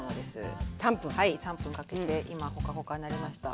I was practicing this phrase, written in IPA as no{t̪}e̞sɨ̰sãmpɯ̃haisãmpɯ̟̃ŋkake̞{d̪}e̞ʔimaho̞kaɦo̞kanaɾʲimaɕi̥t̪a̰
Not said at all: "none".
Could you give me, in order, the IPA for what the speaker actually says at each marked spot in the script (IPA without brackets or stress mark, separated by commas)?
d̪, t̪